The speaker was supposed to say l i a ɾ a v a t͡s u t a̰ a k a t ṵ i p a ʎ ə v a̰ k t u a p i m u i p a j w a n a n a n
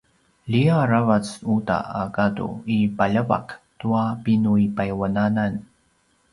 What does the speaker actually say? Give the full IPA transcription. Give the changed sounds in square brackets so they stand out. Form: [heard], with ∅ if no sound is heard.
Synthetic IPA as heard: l i a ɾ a v a t͡s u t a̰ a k a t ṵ i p a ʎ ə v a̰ k t u a p i [n] u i p a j w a n a n a n